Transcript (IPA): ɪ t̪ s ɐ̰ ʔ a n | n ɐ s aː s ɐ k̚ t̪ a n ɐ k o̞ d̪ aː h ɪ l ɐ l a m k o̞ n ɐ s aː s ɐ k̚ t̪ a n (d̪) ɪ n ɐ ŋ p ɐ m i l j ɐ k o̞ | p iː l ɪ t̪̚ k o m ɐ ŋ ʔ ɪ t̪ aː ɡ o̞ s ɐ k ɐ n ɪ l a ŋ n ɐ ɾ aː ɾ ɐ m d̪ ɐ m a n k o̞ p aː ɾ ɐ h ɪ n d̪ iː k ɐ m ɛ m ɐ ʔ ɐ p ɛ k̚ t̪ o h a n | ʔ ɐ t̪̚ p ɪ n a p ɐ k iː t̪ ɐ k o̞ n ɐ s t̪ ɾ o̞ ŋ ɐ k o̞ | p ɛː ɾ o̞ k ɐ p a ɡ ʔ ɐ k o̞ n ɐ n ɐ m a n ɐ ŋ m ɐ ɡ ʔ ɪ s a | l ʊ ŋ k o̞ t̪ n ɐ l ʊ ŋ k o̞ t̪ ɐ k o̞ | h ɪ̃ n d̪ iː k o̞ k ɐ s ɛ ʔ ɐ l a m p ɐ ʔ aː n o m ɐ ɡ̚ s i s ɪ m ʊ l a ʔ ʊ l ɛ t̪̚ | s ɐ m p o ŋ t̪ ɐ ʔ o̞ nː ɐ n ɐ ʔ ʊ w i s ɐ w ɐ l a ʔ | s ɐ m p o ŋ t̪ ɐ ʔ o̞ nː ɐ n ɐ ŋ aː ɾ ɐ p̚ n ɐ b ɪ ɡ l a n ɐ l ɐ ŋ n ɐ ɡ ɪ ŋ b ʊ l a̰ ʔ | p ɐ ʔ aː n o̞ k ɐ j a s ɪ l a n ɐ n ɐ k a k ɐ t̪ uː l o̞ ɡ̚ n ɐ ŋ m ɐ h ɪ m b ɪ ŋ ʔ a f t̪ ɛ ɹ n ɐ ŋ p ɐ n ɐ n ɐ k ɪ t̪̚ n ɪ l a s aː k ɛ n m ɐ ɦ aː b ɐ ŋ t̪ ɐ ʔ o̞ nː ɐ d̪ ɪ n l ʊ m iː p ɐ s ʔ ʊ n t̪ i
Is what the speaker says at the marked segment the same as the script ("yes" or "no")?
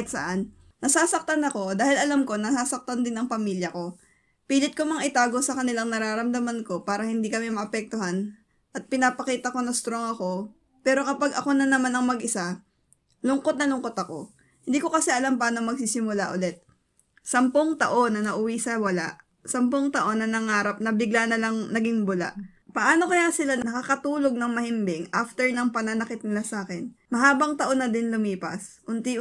yes